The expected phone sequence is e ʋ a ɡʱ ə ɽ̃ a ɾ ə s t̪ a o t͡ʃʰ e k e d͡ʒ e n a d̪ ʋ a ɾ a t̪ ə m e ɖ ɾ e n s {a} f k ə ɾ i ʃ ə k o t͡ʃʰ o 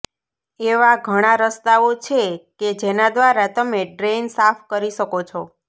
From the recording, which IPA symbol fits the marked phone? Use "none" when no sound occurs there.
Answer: a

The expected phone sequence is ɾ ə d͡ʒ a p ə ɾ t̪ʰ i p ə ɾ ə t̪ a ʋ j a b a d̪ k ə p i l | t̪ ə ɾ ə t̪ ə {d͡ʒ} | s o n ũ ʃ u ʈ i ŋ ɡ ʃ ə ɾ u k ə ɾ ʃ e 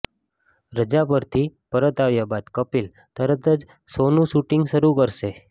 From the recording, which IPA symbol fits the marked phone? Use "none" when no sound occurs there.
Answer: d͡ʒ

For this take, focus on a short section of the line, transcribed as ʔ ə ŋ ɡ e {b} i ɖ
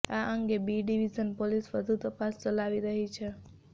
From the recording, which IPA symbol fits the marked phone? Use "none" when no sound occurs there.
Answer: b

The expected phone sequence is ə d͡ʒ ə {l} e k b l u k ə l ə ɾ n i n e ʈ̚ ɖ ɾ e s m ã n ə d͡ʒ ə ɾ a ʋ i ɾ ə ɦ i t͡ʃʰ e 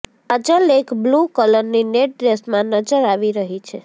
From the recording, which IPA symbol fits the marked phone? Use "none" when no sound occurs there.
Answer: l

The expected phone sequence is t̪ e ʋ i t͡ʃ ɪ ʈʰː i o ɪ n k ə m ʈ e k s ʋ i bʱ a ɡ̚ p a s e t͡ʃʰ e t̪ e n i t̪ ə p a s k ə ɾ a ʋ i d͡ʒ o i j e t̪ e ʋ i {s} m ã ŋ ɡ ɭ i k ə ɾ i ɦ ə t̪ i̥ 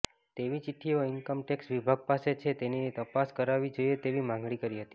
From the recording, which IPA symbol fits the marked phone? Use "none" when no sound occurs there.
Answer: none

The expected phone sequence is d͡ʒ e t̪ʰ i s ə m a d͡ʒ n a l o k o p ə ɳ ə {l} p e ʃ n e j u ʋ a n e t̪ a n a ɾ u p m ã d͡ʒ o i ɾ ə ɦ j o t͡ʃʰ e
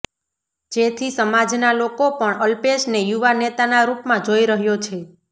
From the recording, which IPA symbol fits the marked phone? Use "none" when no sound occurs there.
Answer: l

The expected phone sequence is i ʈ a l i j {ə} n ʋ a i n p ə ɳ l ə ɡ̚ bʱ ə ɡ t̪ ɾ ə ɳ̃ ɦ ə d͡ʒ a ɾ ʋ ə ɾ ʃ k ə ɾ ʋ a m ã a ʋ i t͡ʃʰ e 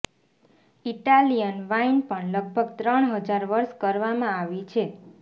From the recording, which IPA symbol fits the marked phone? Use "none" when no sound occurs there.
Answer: ə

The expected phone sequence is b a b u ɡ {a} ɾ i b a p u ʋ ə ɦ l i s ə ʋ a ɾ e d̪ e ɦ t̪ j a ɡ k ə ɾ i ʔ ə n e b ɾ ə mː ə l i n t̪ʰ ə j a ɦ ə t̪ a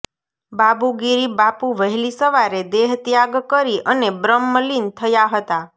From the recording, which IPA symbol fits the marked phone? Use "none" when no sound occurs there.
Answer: i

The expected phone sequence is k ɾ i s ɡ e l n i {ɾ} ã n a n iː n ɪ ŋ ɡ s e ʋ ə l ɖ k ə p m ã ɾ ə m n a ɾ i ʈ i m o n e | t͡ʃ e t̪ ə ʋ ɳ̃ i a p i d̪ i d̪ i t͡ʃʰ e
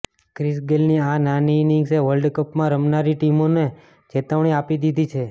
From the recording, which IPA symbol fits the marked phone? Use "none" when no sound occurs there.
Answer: none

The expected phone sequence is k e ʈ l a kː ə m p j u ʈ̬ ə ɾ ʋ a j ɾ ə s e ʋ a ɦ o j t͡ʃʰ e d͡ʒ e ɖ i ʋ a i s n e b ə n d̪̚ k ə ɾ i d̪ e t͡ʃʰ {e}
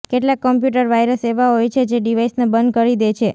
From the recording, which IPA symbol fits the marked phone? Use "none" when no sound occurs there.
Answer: e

